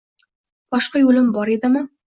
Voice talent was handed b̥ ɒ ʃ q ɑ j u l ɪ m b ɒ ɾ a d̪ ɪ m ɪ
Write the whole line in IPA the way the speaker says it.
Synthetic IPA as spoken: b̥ ɒ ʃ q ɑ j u l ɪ m b ɒ ɾ e d̪ ɪ m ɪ